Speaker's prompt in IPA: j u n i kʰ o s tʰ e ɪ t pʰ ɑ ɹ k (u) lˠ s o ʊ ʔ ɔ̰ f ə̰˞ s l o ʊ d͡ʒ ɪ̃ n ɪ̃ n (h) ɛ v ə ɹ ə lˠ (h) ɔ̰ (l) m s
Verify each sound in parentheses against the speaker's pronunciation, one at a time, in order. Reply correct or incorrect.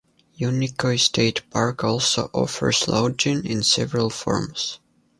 incorrect: ɔ, incorrect: s, incorrect: f, incorrect: ɹ

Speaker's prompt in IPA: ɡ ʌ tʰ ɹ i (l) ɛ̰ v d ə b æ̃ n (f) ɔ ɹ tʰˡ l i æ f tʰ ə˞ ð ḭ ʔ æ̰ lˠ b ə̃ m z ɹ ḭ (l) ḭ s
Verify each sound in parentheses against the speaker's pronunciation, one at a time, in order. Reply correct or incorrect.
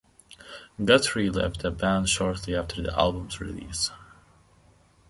correct, incorrect: ʃ, correct

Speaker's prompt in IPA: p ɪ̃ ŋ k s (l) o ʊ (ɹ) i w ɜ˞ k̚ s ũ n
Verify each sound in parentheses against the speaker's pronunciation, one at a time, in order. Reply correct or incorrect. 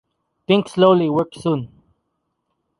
correct, incorrect: l

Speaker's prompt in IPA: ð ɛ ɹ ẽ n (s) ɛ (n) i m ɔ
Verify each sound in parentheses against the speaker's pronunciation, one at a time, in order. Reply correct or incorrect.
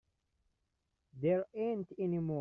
incorrect: t, correct

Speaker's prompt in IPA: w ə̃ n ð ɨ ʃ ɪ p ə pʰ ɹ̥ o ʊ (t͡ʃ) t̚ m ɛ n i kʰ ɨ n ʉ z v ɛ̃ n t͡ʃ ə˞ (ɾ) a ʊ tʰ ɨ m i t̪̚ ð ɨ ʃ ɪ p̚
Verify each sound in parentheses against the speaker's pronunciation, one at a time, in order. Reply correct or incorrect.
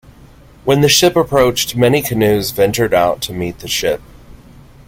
correct, correct

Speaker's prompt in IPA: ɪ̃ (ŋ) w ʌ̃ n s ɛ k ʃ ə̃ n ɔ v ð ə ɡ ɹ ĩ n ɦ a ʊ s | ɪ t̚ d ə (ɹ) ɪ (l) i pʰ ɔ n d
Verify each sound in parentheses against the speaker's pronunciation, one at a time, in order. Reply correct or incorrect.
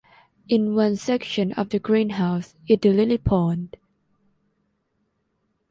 incorrect: n, incorrect: l, correct

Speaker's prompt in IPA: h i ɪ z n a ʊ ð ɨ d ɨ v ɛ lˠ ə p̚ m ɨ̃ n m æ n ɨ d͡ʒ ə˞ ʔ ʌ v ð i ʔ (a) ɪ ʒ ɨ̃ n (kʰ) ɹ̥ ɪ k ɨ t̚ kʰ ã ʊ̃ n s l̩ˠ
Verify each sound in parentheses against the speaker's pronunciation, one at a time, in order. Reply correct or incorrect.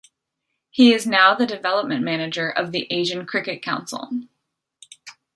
incorrect: e, correct

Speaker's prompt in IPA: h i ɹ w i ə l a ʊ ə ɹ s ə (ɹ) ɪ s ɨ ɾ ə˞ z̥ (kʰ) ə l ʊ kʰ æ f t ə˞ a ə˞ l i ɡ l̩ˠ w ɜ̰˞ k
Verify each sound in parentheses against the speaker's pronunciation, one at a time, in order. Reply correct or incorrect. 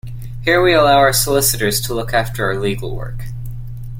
incorrect: l, incorrect: tʰ

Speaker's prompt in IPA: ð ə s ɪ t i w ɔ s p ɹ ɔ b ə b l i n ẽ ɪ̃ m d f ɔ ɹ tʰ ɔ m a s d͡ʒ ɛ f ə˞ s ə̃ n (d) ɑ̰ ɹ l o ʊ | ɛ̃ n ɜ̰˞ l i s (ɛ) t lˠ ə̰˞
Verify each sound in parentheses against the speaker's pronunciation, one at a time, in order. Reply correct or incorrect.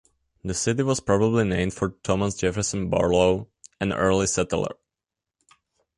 incorrect: b, correct

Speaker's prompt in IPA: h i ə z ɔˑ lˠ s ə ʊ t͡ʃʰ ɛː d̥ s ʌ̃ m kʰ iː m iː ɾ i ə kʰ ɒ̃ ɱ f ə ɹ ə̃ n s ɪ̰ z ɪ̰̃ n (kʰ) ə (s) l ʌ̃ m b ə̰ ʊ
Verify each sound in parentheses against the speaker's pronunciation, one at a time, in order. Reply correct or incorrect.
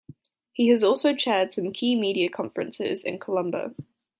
correct, incorrect: none

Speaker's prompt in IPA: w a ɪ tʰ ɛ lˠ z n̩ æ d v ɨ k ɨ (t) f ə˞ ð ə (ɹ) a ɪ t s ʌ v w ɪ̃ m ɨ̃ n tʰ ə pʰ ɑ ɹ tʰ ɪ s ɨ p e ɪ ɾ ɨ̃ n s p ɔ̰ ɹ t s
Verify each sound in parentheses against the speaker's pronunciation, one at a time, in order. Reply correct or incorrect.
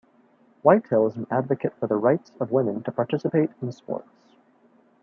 correct, correct

